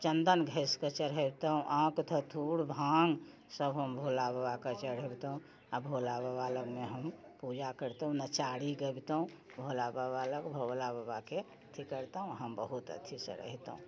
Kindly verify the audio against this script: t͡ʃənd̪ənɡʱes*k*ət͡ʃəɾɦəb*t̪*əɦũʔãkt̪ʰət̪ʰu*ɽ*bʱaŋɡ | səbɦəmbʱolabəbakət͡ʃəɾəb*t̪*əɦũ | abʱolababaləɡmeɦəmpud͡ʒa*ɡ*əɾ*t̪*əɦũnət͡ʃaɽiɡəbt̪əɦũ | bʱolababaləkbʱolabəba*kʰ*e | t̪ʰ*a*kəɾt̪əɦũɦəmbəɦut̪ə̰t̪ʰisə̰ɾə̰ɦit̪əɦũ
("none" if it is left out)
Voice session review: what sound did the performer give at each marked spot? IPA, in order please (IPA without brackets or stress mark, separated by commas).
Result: k, t̪, ɽ, t̪, k, t̪, k, i